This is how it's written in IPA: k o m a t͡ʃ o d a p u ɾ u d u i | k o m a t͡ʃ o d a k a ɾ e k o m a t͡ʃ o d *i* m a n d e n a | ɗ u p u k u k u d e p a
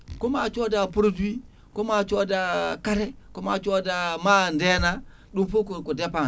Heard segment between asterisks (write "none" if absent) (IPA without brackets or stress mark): a